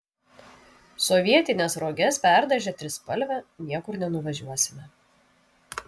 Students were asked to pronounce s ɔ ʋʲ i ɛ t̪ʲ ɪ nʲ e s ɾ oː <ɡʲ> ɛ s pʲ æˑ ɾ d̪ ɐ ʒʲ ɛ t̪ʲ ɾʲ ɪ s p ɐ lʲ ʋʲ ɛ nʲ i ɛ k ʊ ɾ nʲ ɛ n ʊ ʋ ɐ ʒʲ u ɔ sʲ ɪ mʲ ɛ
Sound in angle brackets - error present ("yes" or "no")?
no